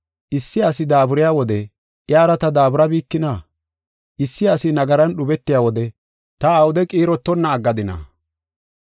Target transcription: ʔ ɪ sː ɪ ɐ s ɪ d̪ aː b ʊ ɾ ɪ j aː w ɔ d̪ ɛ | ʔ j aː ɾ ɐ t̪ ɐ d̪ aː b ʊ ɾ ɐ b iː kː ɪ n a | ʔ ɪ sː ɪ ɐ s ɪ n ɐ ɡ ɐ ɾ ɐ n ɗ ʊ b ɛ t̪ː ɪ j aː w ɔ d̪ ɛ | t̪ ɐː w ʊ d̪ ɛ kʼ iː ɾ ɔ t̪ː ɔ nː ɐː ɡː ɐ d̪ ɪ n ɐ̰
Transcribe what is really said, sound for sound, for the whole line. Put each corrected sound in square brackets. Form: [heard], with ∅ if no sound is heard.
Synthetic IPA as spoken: ʔ ɪ sː ɪ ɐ s ɪ d̪ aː b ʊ ɾ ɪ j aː w ɔ d̪ ɛ | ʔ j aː ɾ ɐ t̪ ɐ d̪ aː b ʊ ɾ ɐ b iː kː ɪ n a | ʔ ɪ sː ɪ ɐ s ɪ n ɐ ɡ ɐ ɾ ɐ n ɗ ʊ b ɛ t̪ː ɪ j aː w ɔ d̪ ɛ | t̪ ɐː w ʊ d̪ ɛ kʼ iː ɾ ɔ t̪ː ɔ nː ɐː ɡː ɐ d̪ ɪ n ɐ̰